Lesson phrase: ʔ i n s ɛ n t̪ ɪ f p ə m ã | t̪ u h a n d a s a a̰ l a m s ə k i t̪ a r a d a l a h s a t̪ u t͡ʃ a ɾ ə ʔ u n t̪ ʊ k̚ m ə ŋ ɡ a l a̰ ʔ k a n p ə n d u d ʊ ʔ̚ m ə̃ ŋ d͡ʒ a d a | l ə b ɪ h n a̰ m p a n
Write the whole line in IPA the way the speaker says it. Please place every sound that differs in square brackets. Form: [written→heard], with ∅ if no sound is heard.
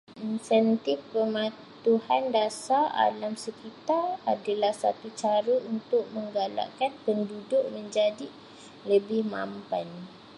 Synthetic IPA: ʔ i n s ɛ n t̪ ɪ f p ə m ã | t̪ u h a n d a s a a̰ l a m s ə k i t̪ a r a d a l a h s a t̪ u t͡ʃ a ɾ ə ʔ u n t̪ ʊ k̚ m ə ŋ ɡ a l a̰ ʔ k a n p ə n d u d ʊ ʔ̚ m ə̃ [ŋ→ɲ] d͡ʒ a d [a→i] | l ə b ɪ h [n→m] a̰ m p a n

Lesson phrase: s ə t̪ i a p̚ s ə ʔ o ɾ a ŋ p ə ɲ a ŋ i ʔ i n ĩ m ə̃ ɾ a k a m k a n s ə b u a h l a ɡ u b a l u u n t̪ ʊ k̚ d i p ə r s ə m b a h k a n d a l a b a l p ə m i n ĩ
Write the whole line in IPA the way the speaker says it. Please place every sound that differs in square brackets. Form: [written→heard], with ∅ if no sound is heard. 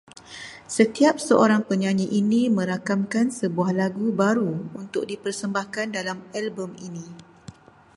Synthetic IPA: s ə t̪ i a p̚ s ə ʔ o ɾ a ŋ p ə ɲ a [ŋ→ɲ] i ʔ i n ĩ m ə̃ ɾ a k a m k a n s ə b u a h l a ɡ u b a [l→ɾ] u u n t̪ ʊ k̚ d i p ə r s ə m b a h k a n d a l a [b→m] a l [p→b] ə m i n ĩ

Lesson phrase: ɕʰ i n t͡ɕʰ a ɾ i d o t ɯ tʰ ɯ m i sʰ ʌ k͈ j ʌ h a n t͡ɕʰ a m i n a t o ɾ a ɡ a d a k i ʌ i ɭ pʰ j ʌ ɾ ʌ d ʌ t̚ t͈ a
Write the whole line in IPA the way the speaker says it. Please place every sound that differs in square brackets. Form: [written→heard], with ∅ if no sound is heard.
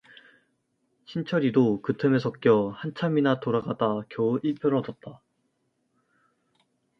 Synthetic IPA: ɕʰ i n t͡ɕʰ [a→ʌ] ɾ i d o [t→k] ɯ tʰ ɯ m [i→e] sʰ ʌ k͈ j ʌ h a n t͡ɕʰ a m i n a t o ɾ a ɡ a d a k [i→j] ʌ i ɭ pʰ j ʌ ɾ ʌ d ʌ t̚ t͈ a

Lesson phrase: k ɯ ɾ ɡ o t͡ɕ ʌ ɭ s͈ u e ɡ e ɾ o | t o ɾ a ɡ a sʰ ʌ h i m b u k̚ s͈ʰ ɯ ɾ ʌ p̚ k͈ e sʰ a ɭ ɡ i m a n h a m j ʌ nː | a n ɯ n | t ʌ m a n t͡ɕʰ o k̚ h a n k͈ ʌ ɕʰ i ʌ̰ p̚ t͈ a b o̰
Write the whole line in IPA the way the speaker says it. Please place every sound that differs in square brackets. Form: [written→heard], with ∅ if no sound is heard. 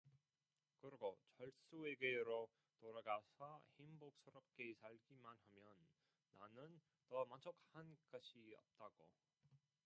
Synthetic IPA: k ɯ ɾ ɡ o t͡ɕ ʌ ɭ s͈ u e ɡ e ɾ o | t o ɾ a ɡ a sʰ ʌ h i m b [u→o] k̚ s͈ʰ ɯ ɾ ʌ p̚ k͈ e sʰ a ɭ ɡ i m a n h a m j ʌ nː | a n ɯ n | t ʌ m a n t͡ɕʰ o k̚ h a n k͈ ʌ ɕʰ i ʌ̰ p̚ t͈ a [b→ɡ] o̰

